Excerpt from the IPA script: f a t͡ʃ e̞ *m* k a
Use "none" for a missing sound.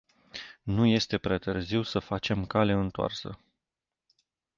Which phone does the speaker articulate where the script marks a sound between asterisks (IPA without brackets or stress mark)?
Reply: m